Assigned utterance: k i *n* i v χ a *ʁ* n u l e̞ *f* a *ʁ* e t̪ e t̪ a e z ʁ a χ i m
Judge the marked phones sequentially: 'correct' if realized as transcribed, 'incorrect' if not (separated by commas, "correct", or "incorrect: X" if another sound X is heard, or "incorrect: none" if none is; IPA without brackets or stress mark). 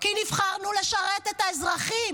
correct, correct, incorrect: ʃ, correct